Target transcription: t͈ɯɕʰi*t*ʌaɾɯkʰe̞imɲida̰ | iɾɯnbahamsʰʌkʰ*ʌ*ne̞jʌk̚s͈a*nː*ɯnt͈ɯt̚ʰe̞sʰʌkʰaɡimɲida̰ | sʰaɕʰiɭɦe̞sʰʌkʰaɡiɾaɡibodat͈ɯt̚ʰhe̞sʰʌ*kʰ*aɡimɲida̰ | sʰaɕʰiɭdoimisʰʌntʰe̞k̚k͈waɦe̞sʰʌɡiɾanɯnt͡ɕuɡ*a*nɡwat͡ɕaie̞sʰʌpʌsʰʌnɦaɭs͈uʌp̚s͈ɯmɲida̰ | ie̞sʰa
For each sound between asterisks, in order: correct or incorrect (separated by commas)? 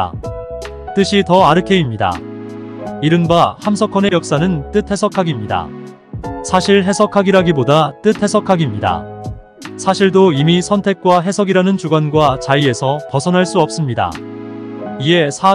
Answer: correct, correct, incorrect, correct, correct